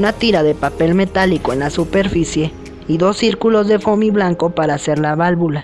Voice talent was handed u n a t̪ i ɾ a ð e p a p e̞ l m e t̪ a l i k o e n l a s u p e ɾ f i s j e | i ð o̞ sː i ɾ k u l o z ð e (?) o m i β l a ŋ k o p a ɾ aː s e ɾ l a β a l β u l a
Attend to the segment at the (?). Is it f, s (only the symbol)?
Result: f